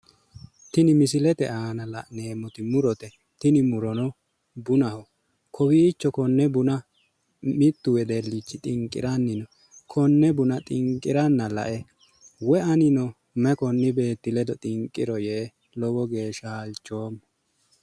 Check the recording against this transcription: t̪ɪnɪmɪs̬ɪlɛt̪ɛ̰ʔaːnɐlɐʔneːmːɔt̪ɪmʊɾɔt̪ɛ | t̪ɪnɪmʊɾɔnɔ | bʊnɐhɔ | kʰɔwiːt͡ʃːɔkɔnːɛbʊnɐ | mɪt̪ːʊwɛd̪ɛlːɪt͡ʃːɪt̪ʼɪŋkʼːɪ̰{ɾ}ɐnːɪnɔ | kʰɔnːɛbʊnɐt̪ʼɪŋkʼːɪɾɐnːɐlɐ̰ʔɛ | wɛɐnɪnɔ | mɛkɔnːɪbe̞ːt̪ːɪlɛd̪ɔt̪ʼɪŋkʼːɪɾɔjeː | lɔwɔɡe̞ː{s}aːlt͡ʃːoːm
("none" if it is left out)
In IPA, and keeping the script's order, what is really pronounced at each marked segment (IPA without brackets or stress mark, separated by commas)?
ɾ, ʃ